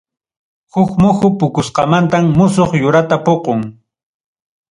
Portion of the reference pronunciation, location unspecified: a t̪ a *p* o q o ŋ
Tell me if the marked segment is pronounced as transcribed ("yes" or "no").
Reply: yes